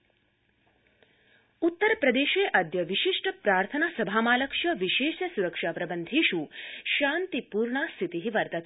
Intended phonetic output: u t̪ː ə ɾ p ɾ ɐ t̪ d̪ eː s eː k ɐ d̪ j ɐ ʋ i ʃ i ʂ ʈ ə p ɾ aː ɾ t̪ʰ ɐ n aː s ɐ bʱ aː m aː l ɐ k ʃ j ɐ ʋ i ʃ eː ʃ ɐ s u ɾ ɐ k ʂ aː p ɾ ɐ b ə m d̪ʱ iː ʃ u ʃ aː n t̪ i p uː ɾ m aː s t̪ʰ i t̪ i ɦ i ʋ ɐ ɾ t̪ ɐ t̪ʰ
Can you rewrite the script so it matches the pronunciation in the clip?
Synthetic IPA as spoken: u t̪ː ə ɾ p ɾ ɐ d̪ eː ʃ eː ʔ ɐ d̪ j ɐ ʋ i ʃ i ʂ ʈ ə p ɾ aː ɾ t̪ʰ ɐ n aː s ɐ bʱ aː m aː l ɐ k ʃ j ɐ ʋ i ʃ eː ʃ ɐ s u ɾ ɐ k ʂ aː p ɾ ɐ b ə n d̪ʱ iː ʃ u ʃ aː n t̪ i p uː ɾ ɳ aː s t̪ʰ i t̪ i ɦ i ʋ ɐ ɾ t̪ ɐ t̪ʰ